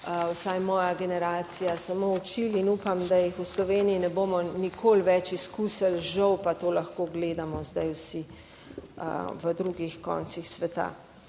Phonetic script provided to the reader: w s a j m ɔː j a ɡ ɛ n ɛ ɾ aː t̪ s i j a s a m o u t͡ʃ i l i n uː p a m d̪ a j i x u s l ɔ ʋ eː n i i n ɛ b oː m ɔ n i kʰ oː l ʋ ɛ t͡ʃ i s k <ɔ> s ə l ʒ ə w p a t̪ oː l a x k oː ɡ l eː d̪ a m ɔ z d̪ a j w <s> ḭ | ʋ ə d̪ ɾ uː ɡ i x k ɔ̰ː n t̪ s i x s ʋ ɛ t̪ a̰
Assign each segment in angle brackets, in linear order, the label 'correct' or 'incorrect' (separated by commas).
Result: incorrect, correct